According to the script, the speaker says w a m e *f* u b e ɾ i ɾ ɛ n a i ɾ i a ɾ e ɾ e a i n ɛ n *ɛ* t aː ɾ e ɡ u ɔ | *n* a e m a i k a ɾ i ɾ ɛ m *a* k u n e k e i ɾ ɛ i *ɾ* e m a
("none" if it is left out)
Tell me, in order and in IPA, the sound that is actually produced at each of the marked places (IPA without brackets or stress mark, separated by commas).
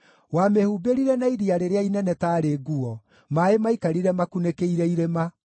h, ɛ, m, a, ɾ